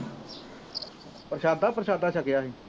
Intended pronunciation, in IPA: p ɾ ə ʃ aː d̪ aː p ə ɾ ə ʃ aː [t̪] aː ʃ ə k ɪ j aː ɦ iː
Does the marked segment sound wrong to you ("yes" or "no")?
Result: yes